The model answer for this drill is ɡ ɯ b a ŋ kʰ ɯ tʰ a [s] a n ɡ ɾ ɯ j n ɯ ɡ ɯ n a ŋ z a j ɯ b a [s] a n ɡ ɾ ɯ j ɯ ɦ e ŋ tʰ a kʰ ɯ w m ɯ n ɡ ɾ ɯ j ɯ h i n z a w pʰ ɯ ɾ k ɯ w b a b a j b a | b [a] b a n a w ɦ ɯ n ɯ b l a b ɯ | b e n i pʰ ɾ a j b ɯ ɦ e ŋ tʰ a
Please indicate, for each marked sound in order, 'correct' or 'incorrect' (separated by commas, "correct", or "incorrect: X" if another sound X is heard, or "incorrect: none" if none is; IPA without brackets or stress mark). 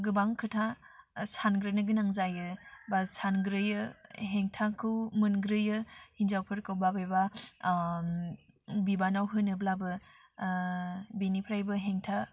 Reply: correct, correct, incorrect: i